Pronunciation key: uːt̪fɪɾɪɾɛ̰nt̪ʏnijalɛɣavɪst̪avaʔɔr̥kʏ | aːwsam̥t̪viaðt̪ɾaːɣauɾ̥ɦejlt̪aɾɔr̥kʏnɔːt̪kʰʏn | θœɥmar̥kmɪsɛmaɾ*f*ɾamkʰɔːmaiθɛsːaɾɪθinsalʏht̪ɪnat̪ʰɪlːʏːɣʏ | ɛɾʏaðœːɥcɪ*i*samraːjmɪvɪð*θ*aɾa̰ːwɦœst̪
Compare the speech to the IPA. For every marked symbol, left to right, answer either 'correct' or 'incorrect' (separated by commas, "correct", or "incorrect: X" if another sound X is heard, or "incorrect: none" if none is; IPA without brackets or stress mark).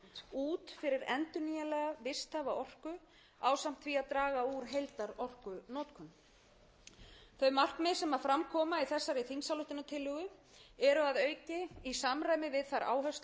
correct, correct, correct